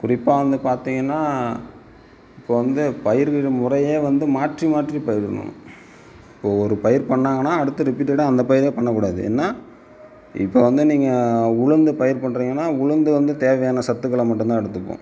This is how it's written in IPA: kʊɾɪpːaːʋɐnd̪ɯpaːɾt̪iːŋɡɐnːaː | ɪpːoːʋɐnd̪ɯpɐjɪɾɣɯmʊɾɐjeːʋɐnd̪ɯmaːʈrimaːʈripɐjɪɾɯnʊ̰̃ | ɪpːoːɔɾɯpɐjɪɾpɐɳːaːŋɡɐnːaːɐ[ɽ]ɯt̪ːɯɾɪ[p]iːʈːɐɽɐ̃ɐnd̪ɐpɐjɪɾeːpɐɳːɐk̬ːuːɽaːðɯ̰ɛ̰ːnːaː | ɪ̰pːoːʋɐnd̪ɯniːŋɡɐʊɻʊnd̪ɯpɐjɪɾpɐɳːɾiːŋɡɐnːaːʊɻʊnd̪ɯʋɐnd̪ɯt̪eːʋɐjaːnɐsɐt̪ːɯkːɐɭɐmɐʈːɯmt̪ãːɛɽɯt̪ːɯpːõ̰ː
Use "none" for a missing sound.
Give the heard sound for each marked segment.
ɽ, p

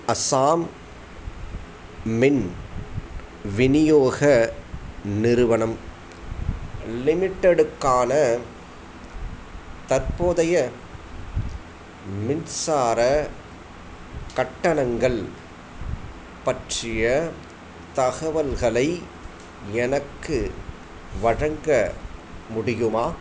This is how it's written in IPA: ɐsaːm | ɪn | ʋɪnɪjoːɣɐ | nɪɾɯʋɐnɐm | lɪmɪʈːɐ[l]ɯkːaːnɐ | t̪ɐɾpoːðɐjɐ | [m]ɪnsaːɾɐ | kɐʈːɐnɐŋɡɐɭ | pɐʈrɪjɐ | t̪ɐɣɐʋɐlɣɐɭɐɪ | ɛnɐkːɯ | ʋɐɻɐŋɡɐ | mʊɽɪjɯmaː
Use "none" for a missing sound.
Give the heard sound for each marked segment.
ɽ, m

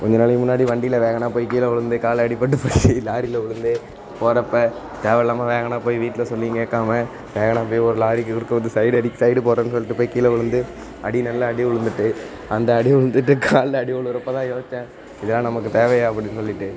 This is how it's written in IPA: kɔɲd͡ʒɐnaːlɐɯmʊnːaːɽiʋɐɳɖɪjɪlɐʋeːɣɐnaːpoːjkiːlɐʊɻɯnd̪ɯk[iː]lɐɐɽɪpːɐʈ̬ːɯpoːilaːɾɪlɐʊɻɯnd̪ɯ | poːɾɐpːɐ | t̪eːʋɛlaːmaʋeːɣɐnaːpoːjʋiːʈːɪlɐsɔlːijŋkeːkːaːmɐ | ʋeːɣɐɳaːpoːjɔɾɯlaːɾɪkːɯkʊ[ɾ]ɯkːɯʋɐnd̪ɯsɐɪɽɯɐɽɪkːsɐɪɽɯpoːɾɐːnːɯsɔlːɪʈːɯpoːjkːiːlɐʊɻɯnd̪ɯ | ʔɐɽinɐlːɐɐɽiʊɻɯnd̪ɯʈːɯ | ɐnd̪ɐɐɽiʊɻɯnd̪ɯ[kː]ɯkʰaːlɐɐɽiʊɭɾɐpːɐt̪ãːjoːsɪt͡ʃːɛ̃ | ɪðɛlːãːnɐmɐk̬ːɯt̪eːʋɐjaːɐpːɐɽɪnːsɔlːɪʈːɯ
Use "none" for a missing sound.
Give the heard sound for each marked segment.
aː, ɽ, ʈː

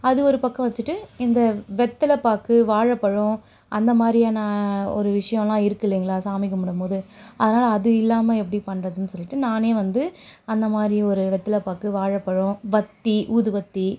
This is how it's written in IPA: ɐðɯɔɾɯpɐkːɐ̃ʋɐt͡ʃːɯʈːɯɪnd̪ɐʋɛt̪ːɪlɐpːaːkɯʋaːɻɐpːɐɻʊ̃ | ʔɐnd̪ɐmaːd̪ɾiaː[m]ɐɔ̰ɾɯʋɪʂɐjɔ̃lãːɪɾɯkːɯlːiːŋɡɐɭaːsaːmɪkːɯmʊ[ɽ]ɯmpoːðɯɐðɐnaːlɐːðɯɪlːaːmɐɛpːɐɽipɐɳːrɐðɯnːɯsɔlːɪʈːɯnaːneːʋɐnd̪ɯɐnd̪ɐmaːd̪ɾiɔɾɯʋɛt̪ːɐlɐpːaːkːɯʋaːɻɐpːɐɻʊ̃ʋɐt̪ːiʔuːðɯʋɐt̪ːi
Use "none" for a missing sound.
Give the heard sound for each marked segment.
n, ɽ

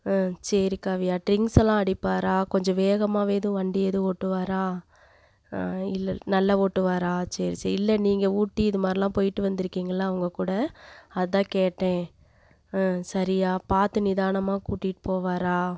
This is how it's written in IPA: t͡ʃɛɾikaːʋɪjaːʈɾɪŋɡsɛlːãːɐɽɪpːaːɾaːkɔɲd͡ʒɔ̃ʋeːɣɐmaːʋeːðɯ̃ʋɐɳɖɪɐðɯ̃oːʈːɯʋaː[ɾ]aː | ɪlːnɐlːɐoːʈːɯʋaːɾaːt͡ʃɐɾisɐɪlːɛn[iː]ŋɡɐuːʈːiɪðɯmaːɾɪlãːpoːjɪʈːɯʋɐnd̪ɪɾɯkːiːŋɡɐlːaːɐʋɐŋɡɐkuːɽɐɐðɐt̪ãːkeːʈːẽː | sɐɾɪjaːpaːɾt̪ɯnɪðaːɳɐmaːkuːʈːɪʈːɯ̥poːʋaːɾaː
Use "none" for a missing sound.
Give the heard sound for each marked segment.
ɾ, iː

